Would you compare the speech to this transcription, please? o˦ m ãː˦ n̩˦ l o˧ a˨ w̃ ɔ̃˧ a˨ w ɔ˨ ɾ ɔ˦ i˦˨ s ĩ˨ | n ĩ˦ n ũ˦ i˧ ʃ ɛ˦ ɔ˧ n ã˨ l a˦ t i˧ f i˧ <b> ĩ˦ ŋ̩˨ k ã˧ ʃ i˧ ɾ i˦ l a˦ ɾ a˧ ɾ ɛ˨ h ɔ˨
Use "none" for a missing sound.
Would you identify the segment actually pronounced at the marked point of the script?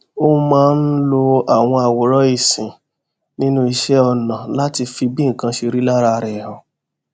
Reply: b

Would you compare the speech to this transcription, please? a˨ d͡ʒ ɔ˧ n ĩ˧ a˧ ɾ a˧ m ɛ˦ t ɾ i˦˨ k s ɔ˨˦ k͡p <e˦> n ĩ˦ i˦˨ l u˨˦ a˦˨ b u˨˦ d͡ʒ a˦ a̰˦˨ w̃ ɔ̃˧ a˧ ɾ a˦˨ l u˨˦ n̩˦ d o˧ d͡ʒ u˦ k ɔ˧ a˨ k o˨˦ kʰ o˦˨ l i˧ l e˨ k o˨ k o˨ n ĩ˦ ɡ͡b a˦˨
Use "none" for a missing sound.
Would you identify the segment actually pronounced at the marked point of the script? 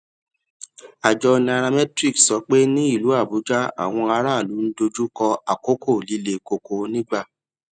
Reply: e˦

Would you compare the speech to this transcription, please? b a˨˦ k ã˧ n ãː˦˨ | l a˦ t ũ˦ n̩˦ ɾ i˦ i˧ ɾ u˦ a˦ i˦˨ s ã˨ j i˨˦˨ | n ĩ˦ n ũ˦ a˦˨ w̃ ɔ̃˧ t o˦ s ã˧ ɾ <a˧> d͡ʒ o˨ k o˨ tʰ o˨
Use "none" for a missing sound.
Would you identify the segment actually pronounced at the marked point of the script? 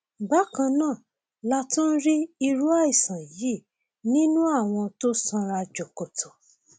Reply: a˧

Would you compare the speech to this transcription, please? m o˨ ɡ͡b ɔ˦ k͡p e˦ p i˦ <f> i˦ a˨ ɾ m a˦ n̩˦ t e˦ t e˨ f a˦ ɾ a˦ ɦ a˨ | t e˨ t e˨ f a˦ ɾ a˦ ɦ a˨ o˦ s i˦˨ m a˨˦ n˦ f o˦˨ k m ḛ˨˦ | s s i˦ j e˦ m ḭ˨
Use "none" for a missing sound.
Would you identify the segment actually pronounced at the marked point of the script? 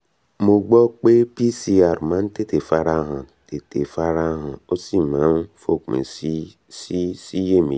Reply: s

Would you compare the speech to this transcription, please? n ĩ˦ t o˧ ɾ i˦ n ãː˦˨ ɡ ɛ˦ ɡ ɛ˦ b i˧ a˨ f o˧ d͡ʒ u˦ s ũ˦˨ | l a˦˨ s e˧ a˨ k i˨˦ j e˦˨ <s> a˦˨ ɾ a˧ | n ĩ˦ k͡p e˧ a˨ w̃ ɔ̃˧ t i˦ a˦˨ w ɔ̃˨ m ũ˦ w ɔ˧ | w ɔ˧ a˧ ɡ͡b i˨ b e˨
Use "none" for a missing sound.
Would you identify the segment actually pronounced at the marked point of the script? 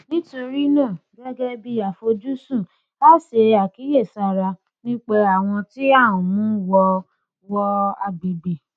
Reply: s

